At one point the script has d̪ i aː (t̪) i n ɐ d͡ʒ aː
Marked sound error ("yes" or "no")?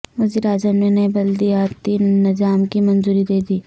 no